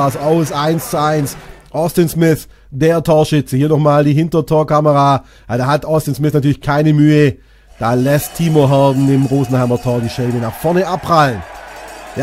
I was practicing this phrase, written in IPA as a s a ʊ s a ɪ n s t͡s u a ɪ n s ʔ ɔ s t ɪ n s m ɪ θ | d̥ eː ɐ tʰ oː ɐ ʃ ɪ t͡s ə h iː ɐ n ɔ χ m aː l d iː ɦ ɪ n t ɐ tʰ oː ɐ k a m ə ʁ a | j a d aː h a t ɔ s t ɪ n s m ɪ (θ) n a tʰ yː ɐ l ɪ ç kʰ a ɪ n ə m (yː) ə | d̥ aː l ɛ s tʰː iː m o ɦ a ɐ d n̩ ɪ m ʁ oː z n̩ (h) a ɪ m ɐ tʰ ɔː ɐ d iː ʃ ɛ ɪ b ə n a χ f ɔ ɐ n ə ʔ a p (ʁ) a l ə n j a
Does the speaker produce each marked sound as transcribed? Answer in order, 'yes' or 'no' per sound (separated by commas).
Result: yes, yes, yes, yes